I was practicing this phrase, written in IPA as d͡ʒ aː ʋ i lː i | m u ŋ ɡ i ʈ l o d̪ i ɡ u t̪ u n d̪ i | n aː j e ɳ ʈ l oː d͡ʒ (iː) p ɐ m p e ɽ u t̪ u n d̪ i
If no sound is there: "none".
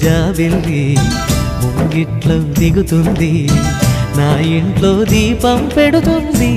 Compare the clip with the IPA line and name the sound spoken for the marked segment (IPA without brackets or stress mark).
iː